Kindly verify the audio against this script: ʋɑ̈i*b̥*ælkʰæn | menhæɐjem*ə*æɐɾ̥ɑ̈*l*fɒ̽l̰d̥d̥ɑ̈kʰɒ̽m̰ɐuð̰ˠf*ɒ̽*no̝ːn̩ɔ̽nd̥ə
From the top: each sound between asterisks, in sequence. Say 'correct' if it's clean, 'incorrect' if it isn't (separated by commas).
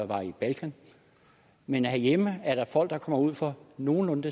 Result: correct, correct, incorrect, correct